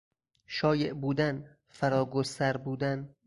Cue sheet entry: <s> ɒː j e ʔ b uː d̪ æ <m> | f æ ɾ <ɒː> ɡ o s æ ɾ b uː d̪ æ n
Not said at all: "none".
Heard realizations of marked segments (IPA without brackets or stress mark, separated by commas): ʃ, n, ɒː